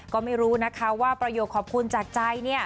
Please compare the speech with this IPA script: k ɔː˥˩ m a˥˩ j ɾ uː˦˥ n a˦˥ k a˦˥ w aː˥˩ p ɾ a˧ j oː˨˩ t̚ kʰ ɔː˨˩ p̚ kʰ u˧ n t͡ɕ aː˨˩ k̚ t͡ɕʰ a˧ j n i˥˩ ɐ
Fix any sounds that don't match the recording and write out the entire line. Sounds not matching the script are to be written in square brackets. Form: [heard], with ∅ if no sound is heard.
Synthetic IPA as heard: k ɔː˥˩ m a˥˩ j ɾ uː˦˥ n a˦˥ [kʰ] a˦˥ w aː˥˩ p ɾ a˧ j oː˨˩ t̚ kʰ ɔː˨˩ p̚ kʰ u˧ n t͡ɕ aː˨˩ k̚ [t͡ɕ] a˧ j n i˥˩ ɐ

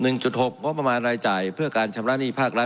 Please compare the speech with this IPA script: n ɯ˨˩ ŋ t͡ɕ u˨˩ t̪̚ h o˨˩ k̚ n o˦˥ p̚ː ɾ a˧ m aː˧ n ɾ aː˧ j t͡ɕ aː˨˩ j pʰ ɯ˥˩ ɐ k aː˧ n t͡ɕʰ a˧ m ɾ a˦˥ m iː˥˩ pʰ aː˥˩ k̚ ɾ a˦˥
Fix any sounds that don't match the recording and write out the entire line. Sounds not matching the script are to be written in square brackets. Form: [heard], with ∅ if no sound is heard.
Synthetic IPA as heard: n ɯ˨˩ ŋ t͡ɕ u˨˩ t̪̚ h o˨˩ k̚ [ŋ] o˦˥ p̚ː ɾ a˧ m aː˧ n ɾ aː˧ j t͡ɕ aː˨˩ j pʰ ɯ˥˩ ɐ k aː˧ n t͡ɕʰ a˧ m ɾ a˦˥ [n] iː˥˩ pʰ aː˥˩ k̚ ɾ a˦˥

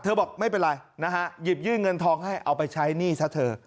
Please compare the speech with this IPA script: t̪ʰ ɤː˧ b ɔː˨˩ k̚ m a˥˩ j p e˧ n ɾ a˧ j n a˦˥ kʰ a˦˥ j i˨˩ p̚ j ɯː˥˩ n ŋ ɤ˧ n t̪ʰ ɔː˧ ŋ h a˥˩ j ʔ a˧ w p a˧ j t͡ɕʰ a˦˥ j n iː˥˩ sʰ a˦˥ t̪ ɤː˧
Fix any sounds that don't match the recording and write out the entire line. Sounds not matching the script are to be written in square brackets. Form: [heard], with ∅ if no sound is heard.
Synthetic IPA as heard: t̪ʰ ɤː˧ b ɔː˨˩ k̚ m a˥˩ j p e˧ n ɾ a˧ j n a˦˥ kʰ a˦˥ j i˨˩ p̚ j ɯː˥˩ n ŋ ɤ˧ n t̪ʰ ɔː˧ ŋ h a˥˩ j ʔ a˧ w p a˧ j t͡ɕʰ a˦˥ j n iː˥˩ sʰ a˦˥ [t̪ʰ] ɤː˧

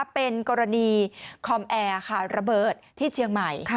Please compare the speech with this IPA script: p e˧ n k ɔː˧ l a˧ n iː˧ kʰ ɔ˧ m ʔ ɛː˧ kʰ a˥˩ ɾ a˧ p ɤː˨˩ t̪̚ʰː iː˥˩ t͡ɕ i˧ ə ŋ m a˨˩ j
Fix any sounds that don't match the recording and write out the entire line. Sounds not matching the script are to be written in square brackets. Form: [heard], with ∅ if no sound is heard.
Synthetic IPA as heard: p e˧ n k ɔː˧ [ɾ] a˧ n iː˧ kʰ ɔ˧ m ʔ ɛː˧ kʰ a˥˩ ɾ a˧ [b] ɤː˨˩ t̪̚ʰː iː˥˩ [t͡ɕʰ] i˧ ə ŋ m a˨˩ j

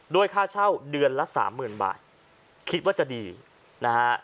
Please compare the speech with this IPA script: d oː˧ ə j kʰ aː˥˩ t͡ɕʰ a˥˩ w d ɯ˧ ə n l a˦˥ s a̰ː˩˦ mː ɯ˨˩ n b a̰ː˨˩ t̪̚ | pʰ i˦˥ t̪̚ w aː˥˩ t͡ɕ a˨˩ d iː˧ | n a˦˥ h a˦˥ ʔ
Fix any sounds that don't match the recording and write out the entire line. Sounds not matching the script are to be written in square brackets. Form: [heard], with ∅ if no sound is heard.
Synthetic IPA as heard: d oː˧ ə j kʰ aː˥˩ t͡ɕʰ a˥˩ w d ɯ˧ ə n l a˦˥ s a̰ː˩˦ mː [ɯː˨˩] n b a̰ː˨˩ t̪̚ | [kʰ] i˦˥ t̪̚ w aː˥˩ t͡ɕ a˨˩ d iː˧ | n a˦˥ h a˦˥ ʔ

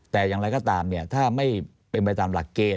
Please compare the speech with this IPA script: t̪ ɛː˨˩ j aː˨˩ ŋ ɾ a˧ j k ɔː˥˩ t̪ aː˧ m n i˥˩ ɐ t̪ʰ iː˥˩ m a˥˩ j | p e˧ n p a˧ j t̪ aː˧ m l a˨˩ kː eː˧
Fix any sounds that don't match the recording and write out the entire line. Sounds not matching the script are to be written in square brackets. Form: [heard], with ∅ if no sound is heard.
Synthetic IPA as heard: t̪ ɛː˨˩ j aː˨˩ ŋ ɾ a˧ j k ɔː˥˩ t̪ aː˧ m n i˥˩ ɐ t̪ʰ [aː˥˩] m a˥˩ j | p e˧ n p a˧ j t̪ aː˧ m l a˨˩ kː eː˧

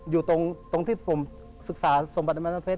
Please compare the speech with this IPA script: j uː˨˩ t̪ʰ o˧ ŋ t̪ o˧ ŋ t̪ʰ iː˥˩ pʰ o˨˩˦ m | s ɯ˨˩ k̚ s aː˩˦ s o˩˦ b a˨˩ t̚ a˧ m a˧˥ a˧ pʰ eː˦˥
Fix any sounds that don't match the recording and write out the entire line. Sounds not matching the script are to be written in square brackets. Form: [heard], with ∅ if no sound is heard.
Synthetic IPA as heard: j uː˨˩ [t̪] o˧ ŋ t̪ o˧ ŋ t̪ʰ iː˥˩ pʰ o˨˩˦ m | s ɯ˨˩ k̚ s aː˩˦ s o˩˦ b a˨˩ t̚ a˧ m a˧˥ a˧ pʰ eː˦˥

